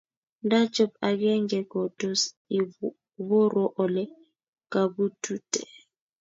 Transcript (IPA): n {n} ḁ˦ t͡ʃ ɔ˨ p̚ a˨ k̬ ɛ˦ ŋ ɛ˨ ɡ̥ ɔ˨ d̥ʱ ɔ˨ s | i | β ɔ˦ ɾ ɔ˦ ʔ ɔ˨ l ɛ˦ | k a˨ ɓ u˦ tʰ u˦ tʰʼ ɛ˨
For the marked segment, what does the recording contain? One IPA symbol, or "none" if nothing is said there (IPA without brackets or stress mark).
d